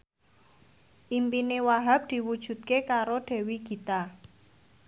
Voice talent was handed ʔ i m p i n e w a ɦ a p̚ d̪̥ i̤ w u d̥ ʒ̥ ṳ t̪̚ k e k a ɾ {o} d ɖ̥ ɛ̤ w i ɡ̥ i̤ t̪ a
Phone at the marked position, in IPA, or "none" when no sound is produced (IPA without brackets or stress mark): o